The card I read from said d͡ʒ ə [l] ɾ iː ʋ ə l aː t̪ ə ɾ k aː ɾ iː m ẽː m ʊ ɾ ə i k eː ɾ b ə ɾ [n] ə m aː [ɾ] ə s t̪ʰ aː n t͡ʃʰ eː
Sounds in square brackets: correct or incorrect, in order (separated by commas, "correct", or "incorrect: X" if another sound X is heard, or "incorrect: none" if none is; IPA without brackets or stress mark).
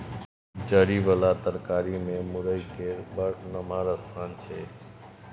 incorrect: none, correct, correct